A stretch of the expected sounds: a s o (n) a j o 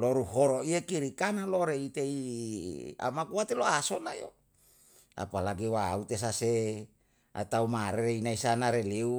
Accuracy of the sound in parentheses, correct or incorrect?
correct